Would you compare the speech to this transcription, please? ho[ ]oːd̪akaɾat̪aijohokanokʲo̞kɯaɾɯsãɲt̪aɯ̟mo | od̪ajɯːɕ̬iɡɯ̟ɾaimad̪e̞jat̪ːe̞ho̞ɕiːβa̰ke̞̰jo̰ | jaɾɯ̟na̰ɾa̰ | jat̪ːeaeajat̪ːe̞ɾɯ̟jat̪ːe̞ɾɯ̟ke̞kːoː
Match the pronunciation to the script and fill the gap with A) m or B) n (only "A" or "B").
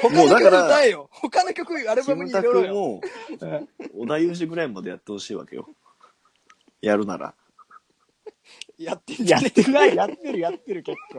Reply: A